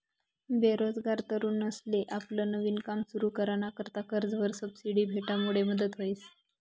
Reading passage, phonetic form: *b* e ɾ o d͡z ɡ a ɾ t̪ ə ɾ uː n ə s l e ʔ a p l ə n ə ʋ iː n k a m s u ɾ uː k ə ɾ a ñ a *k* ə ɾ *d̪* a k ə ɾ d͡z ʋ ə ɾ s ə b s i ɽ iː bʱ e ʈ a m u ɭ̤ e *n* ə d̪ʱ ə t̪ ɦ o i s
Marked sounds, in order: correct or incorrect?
correct, correct, incorrect: t̪, incorrect: m

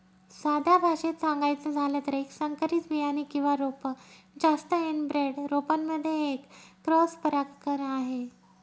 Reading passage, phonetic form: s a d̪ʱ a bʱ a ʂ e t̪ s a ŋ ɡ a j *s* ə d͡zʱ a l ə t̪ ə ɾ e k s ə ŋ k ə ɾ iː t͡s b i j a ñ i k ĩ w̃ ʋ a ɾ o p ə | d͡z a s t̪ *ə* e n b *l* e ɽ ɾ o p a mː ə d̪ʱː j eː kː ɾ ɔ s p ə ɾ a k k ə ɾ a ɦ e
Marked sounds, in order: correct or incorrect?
incorrect: t͡s, correct, incorrect: ɾ

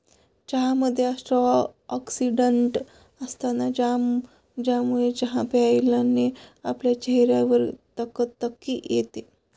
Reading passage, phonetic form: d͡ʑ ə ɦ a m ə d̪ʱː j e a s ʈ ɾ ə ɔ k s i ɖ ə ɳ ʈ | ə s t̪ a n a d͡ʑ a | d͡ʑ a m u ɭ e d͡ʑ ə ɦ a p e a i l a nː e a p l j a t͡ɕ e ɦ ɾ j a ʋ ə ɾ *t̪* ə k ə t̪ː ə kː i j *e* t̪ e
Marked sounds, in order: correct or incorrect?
correct, correct

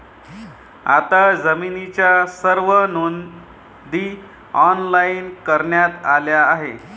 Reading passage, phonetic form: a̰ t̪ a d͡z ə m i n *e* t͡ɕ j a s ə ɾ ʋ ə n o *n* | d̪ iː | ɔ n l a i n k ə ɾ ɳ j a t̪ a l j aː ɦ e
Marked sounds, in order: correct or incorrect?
incorrect: i, correct

